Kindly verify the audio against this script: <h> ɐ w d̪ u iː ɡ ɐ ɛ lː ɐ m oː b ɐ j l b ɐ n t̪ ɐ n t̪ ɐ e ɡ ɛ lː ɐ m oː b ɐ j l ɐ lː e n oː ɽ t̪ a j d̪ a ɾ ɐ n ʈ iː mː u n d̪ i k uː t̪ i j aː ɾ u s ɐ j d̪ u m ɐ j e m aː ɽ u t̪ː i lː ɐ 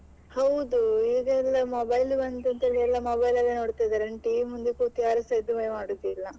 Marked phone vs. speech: correct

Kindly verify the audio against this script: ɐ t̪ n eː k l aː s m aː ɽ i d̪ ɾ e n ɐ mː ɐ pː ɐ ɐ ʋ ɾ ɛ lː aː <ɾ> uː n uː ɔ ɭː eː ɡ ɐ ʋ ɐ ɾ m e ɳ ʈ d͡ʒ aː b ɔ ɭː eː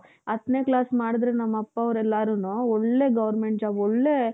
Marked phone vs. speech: correct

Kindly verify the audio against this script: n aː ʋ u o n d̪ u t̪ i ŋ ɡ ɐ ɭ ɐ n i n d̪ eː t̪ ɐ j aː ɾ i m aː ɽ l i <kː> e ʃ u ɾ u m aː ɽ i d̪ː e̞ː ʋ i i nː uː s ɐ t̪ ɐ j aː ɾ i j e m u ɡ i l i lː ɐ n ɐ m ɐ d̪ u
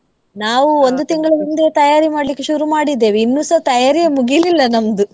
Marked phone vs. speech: correct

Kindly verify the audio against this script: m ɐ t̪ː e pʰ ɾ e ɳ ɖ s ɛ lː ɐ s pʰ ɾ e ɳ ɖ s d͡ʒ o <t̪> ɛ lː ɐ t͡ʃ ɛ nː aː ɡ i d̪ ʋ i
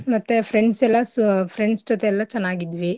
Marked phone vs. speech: correct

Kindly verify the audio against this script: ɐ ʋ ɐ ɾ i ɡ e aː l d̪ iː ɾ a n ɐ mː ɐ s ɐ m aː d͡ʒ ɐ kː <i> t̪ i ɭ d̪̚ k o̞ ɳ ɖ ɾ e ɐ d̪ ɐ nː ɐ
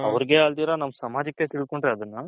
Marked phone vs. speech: incorrect: e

